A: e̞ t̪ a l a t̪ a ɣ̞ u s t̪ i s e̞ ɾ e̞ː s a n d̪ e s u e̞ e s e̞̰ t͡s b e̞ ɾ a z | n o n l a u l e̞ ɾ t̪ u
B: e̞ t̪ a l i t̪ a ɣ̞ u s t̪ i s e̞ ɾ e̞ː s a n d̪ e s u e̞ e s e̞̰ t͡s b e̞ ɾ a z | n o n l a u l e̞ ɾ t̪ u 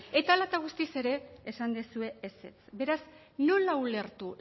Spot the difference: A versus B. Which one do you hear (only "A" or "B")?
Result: A